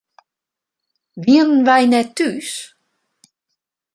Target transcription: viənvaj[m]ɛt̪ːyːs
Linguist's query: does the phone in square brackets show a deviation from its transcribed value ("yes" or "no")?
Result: yes